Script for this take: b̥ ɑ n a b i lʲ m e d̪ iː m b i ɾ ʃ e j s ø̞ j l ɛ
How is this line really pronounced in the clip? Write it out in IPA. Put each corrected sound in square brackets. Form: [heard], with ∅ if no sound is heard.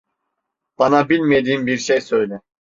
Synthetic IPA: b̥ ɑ n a b i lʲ m e d̪ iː m b i ɾ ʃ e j s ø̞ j l ɛ